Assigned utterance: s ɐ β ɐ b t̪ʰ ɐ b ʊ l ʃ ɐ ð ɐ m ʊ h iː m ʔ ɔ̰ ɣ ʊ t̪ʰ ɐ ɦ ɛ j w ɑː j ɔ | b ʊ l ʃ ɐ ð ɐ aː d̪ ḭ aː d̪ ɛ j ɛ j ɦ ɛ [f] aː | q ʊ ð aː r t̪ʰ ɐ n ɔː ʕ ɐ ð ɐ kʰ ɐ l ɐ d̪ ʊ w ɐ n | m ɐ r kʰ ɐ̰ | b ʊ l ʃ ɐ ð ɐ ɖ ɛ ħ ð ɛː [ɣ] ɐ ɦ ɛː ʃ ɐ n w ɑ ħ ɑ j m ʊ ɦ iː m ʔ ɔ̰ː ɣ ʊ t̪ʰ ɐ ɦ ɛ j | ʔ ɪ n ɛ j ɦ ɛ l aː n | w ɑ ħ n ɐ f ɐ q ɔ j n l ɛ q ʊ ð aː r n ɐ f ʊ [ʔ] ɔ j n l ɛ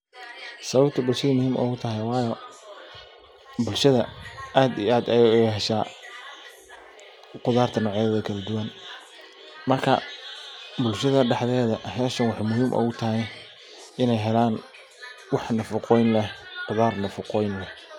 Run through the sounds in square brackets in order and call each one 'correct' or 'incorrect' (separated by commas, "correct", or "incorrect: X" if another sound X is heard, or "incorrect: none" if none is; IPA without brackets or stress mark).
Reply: incorrect: ʃ, incorrect: ð, incorrect: q